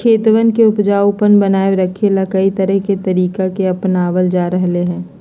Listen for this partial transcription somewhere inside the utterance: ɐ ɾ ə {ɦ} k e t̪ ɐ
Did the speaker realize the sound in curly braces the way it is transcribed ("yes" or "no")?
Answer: yes